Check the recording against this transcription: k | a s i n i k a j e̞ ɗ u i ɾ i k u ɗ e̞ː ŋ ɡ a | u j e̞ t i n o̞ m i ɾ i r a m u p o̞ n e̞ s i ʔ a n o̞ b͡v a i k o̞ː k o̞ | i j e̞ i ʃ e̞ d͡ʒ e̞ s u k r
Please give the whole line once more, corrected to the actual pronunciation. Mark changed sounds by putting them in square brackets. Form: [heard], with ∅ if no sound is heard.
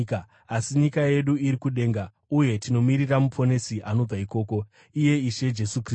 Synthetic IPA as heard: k | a s i [ɲ] i k a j e̞ ɗ u i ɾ i k u ɗ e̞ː ŋ ɡ a | u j e̞ t i n o̞ m i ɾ i r a m u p o̞ n e̞ s i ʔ a n o̞ b͡v a i k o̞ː k o̞ | i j e̞ i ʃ e̞ d͡ʒ e̞ s u k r